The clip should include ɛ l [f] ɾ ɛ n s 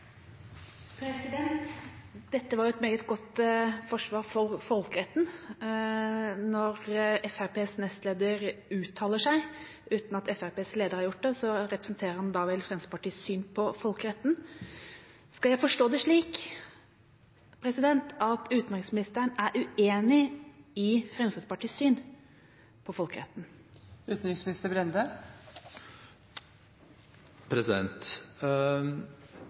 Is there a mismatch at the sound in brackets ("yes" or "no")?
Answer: no